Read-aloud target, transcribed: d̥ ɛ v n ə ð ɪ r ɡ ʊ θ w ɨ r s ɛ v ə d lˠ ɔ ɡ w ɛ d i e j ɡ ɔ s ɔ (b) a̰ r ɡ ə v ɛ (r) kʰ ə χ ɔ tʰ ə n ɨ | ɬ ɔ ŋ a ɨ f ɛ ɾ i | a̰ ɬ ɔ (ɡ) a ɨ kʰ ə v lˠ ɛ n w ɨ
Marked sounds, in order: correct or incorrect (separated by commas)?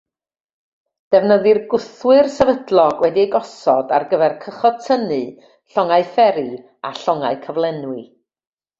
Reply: incorrect, correct, incorrect